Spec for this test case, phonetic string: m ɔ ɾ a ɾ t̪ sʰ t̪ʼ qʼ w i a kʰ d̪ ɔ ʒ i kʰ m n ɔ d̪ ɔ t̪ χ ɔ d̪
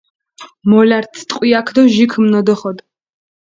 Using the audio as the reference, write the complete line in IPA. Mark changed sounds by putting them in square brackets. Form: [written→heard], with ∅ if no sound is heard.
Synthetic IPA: m ɔ [ɾ→l] a ɾ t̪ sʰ t̪ʼ qʼ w i a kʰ d̪ ɔ ʒ i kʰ m n ɔ d̪ ɔ [t̪→∅] χ ɔ d̪